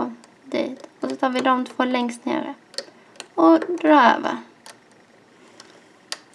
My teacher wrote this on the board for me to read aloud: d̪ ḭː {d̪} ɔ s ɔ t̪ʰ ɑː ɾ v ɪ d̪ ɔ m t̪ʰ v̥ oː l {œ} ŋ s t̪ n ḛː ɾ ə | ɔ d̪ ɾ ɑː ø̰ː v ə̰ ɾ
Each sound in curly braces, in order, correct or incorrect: incorrect, incorrect

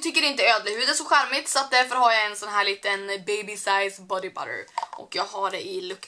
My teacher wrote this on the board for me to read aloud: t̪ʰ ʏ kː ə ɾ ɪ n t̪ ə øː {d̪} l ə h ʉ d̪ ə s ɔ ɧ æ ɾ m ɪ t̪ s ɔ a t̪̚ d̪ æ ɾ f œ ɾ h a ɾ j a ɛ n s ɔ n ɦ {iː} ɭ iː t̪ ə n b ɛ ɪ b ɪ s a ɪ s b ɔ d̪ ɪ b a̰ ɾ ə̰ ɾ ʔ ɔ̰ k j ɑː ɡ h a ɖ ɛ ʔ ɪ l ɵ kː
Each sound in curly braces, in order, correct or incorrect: correct, incorrect

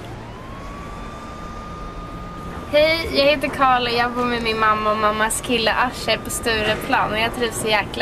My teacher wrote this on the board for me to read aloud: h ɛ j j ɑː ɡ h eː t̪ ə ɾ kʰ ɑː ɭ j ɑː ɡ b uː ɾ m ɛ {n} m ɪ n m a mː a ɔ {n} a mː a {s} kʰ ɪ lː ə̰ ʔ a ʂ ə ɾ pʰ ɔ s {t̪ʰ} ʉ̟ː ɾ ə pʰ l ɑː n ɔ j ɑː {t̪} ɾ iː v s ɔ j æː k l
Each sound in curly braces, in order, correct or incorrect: incorrect, incorrect, correct, incorrect, incorrect

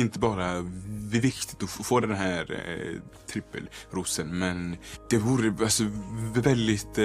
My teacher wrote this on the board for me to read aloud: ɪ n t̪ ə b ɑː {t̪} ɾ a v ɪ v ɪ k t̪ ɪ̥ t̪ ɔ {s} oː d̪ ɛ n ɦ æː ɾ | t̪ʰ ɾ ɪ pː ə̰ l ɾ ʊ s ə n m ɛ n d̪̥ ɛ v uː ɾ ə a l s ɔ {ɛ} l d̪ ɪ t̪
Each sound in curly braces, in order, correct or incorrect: incorrect, incorrect, correct

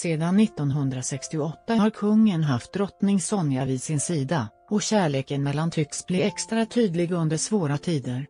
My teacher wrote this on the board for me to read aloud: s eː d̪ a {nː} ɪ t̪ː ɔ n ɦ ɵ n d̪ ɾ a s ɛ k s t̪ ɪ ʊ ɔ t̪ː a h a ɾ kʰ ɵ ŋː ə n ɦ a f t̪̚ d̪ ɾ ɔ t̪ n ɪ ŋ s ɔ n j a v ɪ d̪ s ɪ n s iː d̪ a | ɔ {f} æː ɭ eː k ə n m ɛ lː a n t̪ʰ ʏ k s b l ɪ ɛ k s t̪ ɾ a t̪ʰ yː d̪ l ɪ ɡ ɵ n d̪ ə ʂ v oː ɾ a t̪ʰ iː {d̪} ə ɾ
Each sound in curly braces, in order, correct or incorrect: correct, incorrect, correct

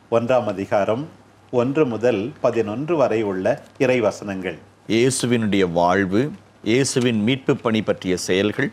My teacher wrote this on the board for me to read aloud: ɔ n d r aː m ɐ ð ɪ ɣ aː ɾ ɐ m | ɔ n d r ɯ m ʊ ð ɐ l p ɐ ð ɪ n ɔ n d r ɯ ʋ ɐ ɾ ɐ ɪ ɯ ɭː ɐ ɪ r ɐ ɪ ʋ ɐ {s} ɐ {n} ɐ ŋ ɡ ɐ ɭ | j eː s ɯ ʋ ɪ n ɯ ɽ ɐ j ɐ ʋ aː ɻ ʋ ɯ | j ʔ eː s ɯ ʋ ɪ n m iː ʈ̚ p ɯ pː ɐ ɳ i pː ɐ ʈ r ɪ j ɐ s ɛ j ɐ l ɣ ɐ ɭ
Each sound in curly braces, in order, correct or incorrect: correct, correct

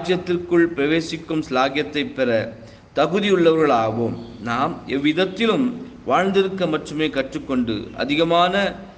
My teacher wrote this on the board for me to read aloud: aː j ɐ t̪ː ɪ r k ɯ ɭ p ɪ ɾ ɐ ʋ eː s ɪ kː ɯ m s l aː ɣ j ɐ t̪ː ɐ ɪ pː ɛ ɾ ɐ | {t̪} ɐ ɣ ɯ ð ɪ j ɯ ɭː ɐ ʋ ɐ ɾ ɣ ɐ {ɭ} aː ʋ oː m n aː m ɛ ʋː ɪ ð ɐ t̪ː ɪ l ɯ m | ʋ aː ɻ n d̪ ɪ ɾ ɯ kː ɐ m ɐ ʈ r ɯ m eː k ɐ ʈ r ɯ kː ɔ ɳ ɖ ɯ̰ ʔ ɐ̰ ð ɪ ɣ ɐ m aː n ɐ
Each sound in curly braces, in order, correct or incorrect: correct, correct

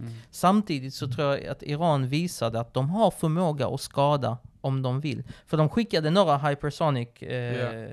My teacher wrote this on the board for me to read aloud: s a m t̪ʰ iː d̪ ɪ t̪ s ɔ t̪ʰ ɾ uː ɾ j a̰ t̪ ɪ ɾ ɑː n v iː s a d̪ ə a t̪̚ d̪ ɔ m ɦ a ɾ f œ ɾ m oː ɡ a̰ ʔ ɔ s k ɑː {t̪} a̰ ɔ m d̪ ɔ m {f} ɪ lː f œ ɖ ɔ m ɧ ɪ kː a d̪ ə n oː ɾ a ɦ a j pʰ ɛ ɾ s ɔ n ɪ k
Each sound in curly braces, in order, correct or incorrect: incorrect, incorrect

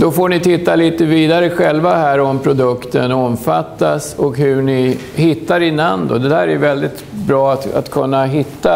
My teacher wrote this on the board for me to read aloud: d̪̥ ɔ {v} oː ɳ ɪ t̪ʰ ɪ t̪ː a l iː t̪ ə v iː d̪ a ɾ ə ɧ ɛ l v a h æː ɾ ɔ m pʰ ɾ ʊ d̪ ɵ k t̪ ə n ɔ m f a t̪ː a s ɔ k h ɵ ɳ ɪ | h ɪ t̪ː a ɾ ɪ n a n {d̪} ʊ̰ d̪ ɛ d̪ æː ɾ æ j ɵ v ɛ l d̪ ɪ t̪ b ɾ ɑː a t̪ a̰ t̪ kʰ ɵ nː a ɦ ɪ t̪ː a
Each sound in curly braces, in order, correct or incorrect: incorrect, correct

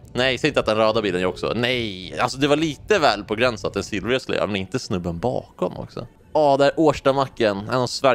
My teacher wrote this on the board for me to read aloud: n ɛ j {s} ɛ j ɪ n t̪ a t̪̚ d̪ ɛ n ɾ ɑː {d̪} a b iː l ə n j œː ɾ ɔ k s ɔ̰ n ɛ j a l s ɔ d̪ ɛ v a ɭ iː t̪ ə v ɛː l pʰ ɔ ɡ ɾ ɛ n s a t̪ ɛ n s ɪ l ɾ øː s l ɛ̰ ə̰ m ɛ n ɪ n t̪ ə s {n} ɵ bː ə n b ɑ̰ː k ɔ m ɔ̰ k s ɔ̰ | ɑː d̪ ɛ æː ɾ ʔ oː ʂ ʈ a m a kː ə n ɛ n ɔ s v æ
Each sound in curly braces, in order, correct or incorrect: correct, correct, correct

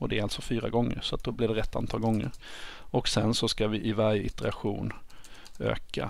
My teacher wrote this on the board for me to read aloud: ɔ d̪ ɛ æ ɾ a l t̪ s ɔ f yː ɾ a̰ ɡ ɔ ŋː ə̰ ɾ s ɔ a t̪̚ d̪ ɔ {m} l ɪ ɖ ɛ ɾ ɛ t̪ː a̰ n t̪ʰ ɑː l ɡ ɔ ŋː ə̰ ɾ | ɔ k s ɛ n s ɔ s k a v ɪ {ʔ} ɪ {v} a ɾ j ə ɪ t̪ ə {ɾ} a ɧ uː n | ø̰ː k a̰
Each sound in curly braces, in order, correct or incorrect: incorrect, correct, correct, correct

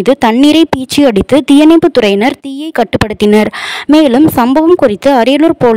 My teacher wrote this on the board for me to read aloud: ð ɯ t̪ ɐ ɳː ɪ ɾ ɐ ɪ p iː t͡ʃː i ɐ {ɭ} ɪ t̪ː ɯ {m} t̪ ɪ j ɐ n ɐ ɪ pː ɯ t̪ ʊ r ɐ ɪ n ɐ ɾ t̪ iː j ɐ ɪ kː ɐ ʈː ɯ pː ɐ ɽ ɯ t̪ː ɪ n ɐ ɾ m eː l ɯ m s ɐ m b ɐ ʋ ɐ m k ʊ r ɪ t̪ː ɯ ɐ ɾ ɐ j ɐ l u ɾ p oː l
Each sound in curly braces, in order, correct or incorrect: incorrect, incorrect

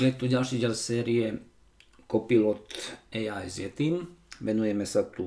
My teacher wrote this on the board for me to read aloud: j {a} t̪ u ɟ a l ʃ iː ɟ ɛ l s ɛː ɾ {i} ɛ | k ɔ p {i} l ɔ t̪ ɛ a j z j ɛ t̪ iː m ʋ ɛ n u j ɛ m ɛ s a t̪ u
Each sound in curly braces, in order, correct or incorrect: incorrect, correct, correct

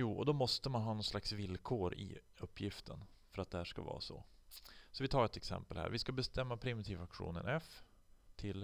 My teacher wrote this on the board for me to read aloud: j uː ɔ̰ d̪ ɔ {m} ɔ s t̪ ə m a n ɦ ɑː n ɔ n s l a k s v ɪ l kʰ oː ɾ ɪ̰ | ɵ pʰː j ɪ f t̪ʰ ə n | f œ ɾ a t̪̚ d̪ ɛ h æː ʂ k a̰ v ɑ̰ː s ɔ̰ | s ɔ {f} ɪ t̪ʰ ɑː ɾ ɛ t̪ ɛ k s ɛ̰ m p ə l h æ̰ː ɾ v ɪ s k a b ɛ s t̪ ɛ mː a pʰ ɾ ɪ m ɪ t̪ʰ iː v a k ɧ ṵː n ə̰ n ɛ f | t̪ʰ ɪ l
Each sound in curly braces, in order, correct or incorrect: correct, incorrect

